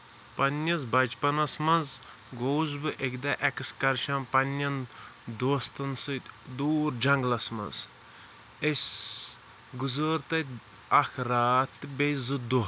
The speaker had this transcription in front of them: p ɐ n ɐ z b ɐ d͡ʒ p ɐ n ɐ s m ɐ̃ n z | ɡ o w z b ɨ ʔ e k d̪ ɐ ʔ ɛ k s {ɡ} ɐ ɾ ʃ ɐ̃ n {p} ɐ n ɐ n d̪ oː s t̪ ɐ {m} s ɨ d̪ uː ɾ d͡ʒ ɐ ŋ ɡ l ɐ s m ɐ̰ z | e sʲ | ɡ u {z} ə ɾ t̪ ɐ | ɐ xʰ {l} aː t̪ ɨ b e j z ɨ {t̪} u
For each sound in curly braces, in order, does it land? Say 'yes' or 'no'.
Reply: no, yes, no, yes, no, no

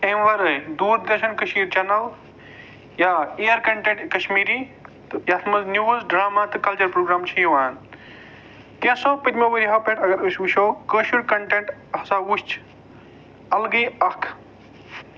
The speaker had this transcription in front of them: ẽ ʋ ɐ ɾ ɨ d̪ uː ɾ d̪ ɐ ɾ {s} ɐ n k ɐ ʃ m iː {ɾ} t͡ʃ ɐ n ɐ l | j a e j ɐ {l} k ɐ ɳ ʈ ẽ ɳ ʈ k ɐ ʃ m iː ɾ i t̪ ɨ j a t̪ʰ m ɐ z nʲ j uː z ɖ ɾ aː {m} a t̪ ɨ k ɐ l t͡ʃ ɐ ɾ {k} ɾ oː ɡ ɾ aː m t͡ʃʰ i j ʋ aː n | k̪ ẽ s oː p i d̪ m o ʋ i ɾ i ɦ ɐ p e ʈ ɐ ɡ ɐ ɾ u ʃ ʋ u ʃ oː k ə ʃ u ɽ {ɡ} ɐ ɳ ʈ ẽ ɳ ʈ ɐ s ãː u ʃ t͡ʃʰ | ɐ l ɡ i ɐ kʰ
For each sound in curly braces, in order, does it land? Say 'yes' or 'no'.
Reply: no, yes, no, yes, no, no

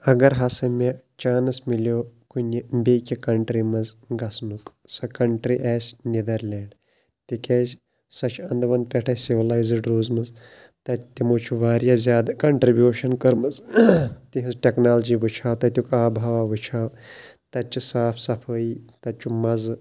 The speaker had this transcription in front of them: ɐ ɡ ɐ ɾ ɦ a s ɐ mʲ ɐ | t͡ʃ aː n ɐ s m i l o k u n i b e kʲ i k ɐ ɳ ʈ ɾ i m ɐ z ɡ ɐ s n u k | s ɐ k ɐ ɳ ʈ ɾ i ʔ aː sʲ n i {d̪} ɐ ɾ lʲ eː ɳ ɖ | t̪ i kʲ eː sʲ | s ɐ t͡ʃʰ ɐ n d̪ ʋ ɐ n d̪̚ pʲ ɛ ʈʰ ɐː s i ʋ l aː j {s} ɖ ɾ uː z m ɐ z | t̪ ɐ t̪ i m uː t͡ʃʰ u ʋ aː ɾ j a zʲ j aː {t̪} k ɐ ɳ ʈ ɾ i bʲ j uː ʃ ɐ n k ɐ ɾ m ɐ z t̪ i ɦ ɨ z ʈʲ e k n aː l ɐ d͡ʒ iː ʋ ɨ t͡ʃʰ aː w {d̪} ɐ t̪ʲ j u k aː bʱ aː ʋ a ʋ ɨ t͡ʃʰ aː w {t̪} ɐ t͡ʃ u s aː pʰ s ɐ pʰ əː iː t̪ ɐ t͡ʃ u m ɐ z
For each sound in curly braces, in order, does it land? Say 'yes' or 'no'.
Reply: yes, no, no, no, yes

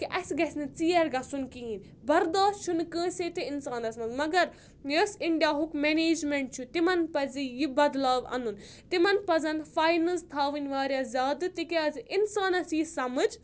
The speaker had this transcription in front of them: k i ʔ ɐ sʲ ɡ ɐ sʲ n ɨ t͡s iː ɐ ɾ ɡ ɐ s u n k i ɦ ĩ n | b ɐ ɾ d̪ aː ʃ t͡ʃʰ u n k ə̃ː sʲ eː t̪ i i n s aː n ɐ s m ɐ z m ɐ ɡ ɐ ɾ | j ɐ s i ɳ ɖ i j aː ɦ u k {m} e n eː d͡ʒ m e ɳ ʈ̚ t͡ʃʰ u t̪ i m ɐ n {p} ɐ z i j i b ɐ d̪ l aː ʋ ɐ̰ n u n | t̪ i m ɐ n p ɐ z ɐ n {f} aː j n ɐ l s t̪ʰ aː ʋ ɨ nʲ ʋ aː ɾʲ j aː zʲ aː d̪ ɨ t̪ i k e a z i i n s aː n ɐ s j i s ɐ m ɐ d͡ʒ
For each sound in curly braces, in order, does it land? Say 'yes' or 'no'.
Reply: yes, yes, yes

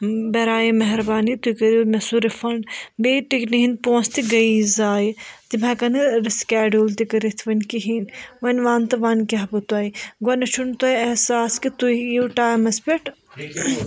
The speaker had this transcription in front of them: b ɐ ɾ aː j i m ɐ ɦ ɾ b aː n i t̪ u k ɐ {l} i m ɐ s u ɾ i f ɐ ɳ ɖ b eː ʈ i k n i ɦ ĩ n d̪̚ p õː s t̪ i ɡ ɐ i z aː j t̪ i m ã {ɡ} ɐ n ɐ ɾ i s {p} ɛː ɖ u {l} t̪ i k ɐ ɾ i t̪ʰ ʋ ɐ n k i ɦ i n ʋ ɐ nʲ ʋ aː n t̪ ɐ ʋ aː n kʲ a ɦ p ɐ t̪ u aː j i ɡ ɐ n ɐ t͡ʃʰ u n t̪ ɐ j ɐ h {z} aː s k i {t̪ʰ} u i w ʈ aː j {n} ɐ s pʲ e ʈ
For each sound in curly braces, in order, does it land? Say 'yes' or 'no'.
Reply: no, no, no, yes, no, no, no

